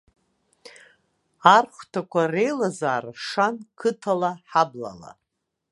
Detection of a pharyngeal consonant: present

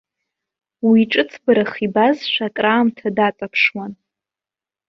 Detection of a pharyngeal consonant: absent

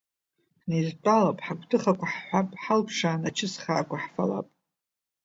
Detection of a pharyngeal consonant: present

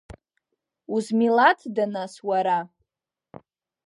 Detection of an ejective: absent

